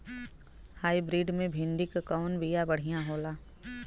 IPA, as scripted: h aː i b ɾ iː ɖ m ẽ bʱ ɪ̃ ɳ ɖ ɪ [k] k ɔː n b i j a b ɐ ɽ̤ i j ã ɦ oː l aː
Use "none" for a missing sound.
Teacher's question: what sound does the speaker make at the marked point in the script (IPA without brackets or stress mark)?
k